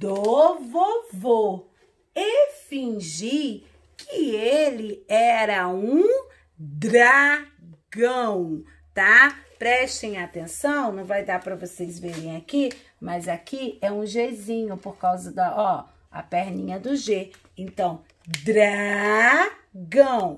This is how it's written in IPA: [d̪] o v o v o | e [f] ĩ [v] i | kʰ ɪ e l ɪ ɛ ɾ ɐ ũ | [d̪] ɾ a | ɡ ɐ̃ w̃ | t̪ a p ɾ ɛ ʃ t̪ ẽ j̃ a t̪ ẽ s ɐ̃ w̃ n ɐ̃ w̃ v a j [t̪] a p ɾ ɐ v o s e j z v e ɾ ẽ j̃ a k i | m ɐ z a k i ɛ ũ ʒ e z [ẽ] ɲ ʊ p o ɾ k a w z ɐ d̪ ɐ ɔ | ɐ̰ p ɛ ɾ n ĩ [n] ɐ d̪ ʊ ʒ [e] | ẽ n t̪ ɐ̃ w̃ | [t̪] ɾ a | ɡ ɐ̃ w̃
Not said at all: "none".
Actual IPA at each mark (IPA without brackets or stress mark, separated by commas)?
d̪, f, ʒ, d̪, d̪, ĩ, ɲ, e, d̪